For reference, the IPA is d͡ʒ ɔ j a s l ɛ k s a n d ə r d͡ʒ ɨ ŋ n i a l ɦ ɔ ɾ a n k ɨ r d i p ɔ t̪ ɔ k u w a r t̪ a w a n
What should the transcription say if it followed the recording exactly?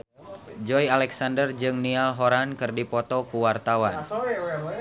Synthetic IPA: d͡ʒ ɔ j a l ɛ k s a n d ə r d͡ʒ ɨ ŋ n i a l ɦ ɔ ɾ a n k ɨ r d i p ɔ t̪ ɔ k u w a r t̪ a w a n